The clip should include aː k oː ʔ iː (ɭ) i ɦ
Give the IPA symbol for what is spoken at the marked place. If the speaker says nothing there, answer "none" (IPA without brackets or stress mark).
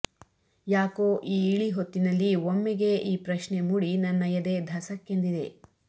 ɭ